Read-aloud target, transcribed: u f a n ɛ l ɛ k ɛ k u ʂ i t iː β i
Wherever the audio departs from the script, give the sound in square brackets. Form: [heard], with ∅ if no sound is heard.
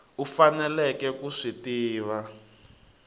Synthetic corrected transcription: u f a n ɛ l ɛ k ɛ k u ʂ i t iː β [a]